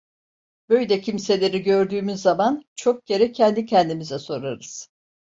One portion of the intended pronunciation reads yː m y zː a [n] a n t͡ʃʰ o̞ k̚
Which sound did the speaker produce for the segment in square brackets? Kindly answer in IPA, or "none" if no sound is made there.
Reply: m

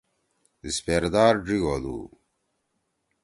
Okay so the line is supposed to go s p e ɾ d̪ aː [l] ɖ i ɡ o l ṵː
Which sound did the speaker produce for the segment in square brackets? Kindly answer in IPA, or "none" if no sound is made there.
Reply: ɾ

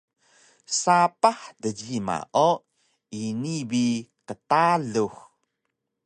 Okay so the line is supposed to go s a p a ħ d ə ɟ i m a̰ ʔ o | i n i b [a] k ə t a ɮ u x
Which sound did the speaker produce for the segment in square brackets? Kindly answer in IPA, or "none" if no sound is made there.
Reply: i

